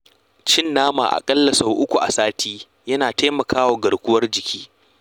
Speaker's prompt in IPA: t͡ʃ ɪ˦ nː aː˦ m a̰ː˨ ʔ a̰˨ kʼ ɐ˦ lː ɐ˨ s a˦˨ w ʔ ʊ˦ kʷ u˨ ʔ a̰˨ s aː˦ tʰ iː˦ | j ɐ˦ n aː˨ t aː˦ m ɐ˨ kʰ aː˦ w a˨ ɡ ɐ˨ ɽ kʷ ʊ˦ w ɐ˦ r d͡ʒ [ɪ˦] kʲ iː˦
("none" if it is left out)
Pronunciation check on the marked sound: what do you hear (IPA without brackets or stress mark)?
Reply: ɪ˨